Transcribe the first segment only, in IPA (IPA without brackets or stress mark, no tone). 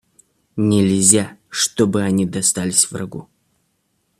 nʲ